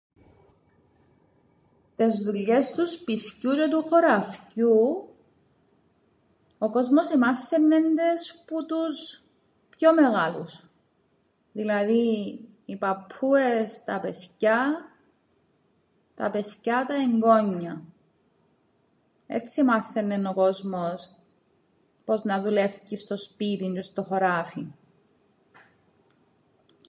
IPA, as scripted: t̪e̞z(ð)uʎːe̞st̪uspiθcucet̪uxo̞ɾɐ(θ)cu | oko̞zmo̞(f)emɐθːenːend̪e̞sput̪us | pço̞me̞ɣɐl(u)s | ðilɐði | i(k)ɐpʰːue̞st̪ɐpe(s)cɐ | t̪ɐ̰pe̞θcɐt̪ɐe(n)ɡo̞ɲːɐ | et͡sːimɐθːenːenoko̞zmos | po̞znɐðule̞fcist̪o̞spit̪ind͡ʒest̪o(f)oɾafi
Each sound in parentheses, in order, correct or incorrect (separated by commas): correct, incorrect, incorrect, correct, incorrect, incorrect, incorrect, incorrect